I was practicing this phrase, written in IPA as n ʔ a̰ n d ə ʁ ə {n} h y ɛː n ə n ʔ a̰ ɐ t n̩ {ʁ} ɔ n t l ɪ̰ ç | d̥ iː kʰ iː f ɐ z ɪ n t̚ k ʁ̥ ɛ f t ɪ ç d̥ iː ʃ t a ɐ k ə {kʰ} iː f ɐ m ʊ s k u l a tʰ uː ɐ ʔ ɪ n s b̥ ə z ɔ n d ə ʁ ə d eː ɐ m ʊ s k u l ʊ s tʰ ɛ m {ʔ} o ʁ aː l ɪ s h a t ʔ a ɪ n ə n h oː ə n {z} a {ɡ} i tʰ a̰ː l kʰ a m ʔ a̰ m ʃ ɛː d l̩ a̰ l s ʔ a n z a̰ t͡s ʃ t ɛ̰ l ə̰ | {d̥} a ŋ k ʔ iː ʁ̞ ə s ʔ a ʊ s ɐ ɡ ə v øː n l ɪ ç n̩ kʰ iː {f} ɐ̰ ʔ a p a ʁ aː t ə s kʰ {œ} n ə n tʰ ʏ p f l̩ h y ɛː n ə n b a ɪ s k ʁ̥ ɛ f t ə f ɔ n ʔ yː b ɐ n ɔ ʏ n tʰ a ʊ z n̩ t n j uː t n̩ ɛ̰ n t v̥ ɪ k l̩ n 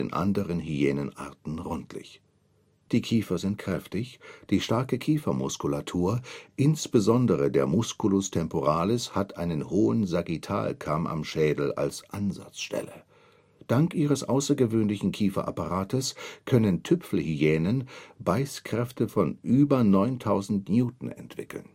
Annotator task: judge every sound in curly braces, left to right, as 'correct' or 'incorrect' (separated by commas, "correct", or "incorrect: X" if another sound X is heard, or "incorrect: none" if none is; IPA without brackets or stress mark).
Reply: correct, correct, correct, incorrect: p, correct, correct, correct, correct, correct